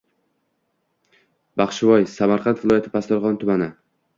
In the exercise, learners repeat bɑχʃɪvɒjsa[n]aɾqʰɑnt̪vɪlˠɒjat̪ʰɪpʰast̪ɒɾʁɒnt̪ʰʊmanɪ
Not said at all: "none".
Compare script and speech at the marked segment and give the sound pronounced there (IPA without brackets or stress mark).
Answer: m